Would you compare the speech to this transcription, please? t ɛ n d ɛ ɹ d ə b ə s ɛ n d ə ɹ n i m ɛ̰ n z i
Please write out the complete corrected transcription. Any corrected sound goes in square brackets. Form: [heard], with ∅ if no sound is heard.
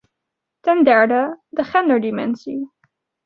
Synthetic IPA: t ɛ n d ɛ ɹ d ə [d] ə [χ] ɛ n d ə ɹ [d] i m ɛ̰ n [s] i

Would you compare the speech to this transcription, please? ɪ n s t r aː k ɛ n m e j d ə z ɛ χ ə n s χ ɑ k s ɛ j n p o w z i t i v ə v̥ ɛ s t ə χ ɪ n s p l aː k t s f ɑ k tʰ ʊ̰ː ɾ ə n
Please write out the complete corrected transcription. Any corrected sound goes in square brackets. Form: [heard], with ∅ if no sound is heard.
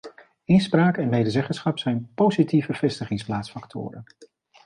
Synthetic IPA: ɪ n s [p] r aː k ɛ n m e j d ə z ɛ χ ə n s χ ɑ [p] s ɛ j n p o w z i t i v ə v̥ ɛ s t ə χ ɪ [ŋ] s p l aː [∅] t s f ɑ k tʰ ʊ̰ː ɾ ə n

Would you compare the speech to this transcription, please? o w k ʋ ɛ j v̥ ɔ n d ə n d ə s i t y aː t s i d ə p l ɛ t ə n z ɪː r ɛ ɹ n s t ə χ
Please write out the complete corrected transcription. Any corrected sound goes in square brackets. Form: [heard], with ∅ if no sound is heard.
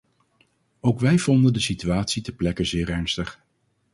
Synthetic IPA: o w k ʋ ɛ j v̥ ɔ n d ə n d ə s i t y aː t s i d ə p l ɛ [k] ə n z ɪː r ɛ ɹ n s t ə χ

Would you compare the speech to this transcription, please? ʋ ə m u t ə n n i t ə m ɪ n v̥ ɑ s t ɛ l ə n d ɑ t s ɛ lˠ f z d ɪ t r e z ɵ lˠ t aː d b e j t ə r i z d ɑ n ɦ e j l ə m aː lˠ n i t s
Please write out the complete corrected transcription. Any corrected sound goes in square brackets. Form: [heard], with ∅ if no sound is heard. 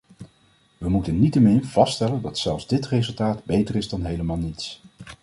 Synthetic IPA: ʋ ə m u t ə n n i t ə m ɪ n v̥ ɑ s t ɛ l ə n d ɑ t s ɛ lˠ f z d ɪ t r e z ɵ lˠ t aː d b e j t ə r [ɪ] z d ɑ n ɦ e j l ə m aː lˠ n i t s

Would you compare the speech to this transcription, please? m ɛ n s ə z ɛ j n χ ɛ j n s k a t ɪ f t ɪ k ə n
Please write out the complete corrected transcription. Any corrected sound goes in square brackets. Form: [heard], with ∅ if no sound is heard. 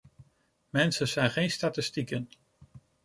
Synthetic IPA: m ɛ n s ə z ɛ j n χ [e] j n s [t] a t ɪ [s] t [i] k ə n

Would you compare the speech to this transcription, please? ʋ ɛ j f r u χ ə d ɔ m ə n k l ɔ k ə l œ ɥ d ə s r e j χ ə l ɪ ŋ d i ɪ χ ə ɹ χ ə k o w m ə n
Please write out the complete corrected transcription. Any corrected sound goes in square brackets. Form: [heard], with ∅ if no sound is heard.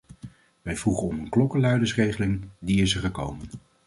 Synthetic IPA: ʋ ɛ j [v] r u χ ə [n] ɔ m ə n k l ɔ k ə l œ ɥ d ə s r e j χ ə l ɪ ŋ d i ɪ [s] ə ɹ χ ə k o w m ə n

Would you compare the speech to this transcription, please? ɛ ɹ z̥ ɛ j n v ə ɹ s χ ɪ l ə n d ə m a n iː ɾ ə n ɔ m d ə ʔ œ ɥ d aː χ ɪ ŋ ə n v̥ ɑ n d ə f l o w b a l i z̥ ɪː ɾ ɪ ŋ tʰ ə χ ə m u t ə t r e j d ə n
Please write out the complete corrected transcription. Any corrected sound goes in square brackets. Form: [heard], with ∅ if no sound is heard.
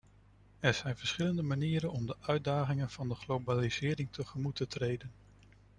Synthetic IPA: ɛ ɹ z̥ ɛ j n v ə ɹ s χ ɪ l ə n d ə m a n iː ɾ ə n ɔ m d ə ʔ œ ɥ d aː χ ɪ ŋ ə n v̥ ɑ n d ə [χ] l o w b a l i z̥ ɪː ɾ ɪ ŋ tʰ ə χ ə m u t ə t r e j d ə n

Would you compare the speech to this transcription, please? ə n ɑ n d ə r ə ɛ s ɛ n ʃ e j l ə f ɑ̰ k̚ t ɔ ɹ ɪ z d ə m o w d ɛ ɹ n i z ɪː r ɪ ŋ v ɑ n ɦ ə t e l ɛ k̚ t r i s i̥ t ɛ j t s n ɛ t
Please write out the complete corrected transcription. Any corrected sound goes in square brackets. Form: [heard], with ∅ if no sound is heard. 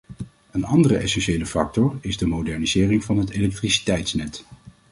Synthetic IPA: ə n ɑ n d ə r ə ɛ s ɛ n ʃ e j l ə f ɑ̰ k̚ t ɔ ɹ ɪ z d ə m o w d ɛ ɹ n i z ɪː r ɪ ŋ v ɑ n ɦ ə t e l ɛ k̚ t r i s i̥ t ɛ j t s n ɛ t

